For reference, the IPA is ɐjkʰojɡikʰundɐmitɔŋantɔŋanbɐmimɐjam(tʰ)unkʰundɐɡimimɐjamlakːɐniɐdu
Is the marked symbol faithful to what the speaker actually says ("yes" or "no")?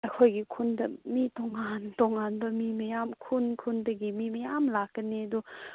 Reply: no